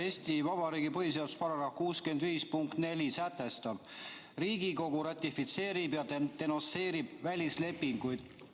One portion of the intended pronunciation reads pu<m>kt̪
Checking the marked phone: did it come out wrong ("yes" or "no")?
yes